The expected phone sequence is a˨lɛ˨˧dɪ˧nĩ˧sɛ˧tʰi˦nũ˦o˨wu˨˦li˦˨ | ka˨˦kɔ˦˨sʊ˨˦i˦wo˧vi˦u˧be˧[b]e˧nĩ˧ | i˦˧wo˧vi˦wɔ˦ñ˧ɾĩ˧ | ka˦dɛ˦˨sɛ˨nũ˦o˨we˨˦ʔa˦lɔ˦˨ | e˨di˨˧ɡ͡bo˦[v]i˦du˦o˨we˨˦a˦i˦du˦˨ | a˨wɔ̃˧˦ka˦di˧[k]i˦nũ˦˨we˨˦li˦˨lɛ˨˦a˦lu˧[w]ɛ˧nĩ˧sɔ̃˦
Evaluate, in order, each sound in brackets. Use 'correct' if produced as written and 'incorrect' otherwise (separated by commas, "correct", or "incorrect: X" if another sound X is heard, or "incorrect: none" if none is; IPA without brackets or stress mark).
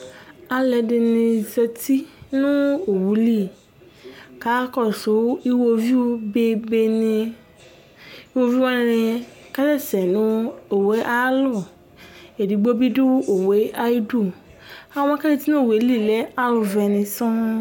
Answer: correct, incorrect: b, incorrect: t, incorrect: v